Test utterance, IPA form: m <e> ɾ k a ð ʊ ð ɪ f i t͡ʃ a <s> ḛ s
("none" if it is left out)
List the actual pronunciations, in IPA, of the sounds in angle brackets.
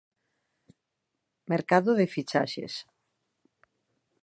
e, ʃ

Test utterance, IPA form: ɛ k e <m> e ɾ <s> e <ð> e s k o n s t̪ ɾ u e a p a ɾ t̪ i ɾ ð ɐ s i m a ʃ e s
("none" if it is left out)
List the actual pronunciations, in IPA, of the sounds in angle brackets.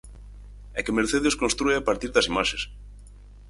m, θ, ð

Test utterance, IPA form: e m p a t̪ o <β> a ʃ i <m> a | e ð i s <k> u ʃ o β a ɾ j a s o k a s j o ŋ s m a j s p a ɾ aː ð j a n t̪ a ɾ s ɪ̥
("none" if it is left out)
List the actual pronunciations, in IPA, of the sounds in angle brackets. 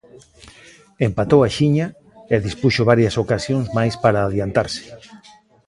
w, ɲ, p

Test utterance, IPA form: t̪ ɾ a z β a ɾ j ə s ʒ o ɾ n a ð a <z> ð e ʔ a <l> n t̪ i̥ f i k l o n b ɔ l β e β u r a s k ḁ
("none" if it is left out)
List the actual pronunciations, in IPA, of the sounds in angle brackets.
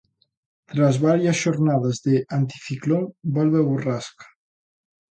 z, none

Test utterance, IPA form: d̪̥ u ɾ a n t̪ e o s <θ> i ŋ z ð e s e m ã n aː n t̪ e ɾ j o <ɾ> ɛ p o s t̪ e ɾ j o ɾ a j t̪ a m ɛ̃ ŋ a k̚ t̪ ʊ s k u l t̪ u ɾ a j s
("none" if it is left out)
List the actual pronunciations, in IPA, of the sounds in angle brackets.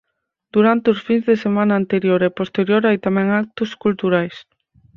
f, ɾ

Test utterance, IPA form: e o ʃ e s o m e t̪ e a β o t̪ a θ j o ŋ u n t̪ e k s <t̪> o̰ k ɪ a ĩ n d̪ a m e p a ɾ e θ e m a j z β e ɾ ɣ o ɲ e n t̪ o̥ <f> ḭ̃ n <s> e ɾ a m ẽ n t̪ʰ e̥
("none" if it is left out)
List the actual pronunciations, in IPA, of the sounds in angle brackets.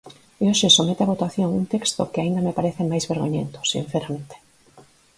t̪, s, θ

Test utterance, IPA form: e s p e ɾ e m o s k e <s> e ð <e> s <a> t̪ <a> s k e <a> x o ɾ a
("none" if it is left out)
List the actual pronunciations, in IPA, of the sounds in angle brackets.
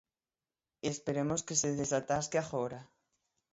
s, e, a, a, a

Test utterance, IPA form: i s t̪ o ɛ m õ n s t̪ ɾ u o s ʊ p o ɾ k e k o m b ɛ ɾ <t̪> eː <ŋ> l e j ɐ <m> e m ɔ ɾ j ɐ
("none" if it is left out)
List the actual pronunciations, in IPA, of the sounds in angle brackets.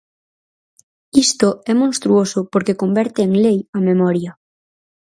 t̪, ŋ, m

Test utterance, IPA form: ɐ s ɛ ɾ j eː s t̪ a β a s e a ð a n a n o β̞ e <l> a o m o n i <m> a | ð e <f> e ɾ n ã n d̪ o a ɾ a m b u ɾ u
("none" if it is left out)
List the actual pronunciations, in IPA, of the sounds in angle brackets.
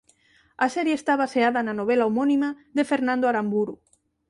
l, m, f

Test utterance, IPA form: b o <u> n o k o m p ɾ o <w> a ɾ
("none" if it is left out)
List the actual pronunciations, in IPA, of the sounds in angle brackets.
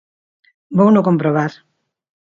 w, β

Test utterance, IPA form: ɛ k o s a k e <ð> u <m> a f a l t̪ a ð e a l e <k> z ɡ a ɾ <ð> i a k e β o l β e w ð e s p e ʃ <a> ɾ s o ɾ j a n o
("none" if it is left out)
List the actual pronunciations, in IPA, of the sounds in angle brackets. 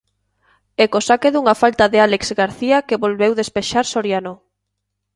ð, ŋ, k, θ, a

